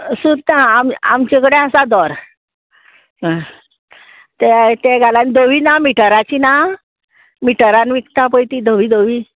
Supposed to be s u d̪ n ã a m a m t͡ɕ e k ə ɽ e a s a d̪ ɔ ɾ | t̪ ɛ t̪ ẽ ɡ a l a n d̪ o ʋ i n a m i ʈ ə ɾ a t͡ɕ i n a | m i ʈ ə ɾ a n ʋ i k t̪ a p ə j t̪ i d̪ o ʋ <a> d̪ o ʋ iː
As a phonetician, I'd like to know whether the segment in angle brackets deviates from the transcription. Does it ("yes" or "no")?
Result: yes